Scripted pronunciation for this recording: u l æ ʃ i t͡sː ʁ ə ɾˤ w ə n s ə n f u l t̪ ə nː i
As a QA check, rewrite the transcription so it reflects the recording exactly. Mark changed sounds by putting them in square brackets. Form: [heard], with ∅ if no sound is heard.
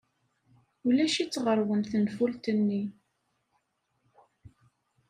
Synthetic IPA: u l æ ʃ i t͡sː ʁ ə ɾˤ w ə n [θ] ə n f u l t̪ ə nː i